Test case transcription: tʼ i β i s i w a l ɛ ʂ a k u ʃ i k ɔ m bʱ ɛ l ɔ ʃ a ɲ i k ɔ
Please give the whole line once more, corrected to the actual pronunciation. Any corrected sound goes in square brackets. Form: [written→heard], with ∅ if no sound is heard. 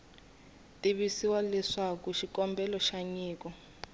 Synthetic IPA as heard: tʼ i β i s i w a l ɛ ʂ a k u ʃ i k ɔ m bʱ ɛ l ɔ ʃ a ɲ [i→iː] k ɔ